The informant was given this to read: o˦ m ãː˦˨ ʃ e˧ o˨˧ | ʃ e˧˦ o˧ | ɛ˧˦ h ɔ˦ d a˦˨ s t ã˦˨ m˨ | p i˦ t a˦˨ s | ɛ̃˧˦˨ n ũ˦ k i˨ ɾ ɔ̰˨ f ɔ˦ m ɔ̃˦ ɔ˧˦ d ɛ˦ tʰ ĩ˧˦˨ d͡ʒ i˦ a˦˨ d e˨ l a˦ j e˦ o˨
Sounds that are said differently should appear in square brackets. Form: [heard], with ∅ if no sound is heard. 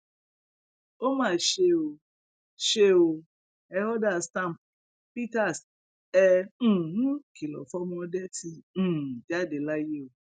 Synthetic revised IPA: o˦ m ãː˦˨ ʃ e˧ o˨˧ | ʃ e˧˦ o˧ | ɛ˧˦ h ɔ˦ d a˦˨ s t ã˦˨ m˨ | p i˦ t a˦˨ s | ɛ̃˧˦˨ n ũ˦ k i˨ [l] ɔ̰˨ f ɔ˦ m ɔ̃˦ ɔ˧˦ d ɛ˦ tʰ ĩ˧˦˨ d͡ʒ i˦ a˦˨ d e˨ l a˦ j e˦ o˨